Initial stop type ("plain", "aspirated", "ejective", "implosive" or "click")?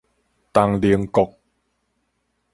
plain